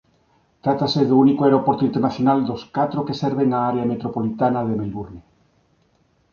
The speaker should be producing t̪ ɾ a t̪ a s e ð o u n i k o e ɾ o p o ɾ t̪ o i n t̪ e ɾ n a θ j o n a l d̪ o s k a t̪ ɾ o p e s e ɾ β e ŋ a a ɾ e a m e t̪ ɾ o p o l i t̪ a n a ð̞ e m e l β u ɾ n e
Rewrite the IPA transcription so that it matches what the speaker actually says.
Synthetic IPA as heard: t̪ ɾ a t̪ a s e ð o u n i k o e ɾ o p o ɾ t̪ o i n t̪ e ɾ n a θ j o n a l d̪ o s k a t̪ ɾ o k e s e ɾ β e ŋ a a ɾ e a m e t̪ ɾ o p o l i t̪ a n a ð̞ e m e l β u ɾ n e